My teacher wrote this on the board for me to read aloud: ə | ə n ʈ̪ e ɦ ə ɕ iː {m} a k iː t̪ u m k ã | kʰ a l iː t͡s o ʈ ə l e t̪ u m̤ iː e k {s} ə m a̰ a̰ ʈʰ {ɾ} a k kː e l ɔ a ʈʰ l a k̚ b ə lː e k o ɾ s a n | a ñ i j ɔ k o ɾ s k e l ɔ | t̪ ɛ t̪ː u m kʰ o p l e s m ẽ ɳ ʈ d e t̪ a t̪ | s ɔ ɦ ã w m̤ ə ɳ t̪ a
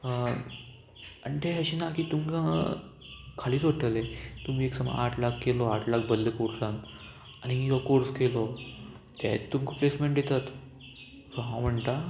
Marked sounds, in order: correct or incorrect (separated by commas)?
incorrect, correct, incorrect